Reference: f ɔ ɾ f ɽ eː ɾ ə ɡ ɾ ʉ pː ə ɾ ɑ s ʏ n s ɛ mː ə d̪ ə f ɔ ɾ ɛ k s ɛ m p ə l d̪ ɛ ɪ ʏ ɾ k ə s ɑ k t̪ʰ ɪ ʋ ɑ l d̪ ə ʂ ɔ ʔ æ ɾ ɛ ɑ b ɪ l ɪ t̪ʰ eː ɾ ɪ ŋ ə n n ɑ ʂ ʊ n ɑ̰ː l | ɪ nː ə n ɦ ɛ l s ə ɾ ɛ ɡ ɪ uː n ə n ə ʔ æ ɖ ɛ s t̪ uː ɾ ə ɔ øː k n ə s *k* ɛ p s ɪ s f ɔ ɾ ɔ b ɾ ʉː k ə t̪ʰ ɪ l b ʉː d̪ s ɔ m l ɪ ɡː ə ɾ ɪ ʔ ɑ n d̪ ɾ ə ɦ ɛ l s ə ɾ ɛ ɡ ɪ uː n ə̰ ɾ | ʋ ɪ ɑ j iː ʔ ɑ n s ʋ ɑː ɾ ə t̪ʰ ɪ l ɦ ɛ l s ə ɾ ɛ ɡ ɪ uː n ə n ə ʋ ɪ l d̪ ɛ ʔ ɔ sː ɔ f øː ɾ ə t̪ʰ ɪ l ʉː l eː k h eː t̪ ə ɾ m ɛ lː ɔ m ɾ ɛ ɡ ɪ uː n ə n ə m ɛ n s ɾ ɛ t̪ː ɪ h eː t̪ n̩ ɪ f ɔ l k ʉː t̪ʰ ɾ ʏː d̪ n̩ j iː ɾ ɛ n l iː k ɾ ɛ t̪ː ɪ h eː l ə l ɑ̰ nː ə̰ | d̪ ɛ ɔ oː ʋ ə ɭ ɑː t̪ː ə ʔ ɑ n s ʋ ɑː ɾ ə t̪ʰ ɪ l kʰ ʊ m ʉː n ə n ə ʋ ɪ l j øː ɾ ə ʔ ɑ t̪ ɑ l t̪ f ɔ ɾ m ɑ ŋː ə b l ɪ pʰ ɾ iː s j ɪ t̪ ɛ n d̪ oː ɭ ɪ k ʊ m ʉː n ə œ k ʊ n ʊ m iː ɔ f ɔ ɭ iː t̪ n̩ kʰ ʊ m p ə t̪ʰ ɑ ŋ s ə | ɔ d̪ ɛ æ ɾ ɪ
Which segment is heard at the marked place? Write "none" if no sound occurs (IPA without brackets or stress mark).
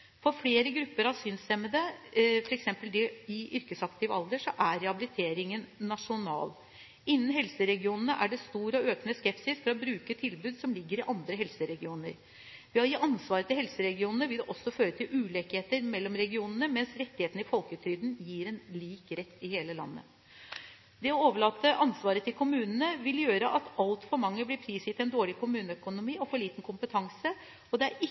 k